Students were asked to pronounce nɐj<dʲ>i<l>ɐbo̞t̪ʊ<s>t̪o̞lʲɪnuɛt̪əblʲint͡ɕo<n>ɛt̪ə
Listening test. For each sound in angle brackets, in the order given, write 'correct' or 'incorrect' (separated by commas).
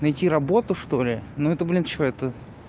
incorrect, incorrect, incorrect, incorrect